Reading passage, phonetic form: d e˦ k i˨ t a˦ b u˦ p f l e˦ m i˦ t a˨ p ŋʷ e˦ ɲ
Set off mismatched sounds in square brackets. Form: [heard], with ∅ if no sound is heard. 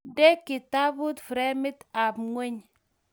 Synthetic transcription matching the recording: d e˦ k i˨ t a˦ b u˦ [t] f [ɾ] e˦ m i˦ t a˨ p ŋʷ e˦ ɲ